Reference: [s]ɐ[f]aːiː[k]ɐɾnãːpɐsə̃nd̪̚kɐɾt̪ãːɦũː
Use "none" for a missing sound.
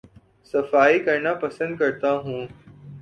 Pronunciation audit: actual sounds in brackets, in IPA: s, f, k

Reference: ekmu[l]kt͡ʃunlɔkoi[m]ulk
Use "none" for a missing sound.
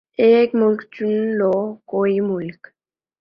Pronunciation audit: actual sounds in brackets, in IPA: l, m

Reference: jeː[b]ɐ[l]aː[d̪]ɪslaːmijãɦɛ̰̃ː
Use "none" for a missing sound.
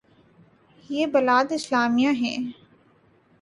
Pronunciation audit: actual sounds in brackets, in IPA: b, l, d̪

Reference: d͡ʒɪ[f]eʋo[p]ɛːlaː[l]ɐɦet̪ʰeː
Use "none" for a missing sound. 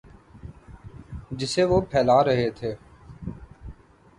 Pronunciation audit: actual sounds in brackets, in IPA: s, pʰ, ɾ

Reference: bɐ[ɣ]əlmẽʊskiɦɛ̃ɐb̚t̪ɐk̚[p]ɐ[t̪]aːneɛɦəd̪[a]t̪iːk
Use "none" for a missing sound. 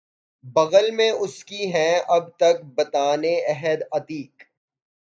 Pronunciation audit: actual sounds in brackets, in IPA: ɣ, b, t̪, ɐ

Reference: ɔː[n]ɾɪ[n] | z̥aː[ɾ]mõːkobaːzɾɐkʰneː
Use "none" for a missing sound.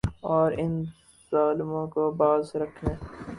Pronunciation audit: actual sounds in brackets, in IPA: none, n, l

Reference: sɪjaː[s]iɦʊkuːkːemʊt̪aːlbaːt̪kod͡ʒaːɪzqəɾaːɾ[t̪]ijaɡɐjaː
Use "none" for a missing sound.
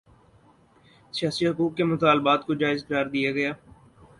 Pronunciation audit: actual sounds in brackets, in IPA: s, d̪

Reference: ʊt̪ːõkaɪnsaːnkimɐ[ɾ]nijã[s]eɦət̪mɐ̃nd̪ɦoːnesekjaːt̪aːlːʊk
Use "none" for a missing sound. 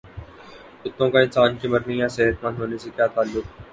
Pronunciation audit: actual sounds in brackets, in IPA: ɾ, s

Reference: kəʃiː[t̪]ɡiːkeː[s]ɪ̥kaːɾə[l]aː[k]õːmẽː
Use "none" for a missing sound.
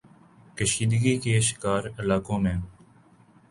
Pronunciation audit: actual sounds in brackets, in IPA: d̪, ʃ, l, k

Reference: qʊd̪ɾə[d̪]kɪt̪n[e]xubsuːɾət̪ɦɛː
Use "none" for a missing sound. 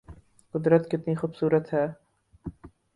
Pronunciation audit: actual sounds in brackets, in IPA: t̪, i

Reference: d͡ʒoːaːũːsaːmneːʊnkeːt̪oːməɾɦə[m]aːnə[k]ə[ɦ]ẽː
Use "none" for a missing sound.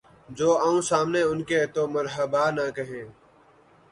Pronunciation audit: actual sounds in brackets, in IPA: b, k, ɦ

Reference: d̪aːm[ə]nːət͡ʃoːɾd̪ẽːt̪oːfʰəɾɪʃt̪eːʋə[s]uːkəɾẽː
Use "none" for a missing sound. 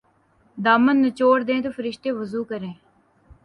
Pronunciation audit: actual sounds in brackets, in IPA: ə, z

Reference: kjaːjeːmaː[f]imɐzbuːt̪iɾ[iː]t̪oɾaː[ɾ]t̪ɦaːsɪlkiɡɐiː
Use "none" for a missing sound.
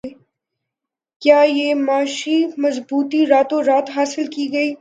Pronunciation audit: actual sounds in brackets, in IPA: ʃ, aː, none

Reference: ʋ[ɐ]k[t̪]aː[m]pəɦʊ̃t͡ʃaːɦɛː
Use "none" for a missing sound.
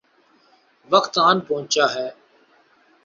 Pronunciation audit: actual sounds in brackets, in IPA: ə, t̪, n

